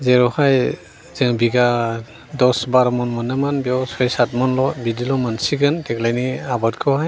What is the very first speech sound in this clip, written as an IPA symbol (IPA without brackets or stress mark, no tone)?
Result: z